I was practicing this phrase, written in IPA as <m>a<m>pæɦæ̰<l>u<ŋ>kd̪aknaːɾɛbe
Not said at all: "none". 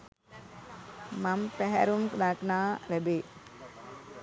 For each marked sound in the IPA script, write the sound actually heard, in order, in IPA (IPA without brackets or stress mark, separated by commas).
m, m, ɾ, m